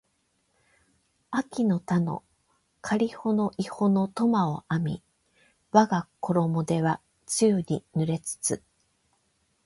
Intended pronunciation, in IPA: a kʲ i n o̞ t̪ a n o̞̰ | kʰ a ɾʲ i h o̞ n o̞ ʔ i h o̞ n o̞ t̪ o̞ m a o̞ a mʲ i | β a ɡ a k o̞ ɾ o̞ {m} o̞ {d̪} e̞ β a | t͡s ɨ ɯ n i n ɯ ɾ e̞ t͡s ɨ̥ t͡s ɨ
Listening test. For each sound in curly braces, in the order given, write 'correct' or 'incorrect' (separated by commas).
correct, correct